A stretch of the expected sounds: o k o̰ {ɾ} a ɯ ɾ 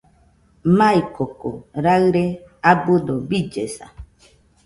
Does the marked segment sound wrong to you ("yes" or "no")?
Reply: no